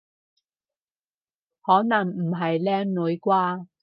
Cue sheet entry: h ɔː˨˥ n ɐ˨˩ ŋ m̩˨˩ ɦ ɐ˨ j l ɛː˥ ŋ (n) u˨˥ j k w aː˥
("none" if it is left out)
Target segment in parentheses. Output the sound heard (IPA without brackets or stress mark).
n